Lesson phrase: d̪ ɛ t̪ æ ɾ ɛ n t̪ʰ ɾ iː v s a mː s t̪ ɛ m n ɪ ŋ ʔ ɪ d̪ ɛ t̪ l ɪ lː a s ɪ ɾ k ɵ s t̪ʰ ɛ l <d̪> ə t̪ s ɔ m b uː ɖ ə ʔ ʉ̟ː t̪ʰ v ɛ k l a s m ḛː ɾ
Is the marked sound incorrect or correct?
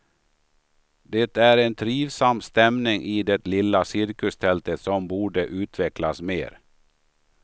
incorrect